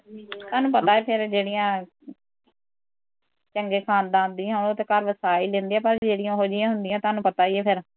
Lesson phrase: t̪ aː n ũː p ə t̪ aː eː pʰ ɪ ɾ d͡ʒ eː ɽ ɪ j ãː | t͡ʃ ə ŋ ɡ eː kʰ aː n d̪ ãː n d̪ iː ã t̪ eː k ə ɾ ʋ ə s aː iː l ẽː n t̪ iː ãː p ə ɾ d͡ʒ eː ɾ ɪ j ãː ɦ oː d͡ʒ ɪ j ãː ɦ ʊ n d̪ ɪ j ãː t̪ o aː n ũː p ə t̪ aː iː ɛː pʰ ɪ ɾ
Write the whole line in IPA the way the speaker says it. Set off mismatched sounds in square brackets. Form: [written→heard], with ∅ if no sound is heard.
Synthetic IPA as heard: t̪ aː n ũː p ə t̪ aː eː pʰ ɪ ɾ d͡ʒ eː ɽ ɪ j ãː | t͡ʃ ə ŋ ɡ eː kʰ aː n d̪ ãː n d̪ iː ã t̪ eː k ə ɾ ʋ ə s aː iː l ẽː n [t̪→d̪] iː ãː p ə ɾ d͡ʒ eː [ɾ→ɽ] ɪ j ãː ɦ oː d͡ʒ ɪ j ãː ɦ ʊ n d̪ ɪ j ãː t̪ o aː n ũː p ə t̪ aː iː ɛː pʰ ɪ ɾ